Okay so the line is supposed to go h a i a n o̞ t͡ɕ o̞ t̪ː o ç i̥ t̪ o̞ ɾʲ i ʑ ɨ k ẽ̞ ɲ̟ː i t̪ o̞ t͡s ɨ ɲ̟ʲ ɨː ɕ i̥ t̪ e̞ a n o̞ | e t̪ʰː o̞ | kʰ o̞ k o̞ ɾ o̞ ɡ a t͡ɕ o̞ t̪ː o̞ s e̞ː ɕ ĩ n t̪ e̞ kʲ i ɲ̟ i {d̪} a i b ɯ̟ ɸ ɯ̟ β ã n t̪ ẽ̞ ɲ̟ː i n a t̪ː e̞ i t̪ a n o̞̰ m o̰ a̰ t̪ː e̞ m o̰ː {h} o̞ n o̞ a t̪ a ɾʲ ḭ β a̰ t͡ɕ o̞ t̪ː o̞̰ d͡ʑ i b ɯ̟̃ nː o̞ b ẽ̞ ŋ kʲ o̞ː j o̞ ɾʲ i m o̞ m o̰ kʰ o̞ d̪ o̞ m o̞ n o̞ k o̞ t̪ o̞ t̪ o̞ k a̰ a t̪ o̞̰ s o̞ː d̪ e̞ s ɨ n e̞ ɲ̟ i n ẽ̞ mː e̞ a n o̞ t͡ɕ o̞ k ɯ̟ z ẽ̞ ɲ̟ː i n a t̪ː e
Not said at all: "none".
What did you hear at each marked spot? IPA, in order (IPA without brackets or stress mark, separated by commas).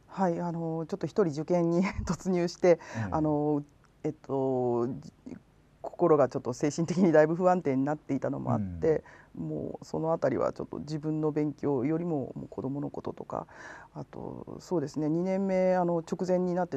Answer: d̪, s